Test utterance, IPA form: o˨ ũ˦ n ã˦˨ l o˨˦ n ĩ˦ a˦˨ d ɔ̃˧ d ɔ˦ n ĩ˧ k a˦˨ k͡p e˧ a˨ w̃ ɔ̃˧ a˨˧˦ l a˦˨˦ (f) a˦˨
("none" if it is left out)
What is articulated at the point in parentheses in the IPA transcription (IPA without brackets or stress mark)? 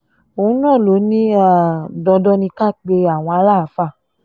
f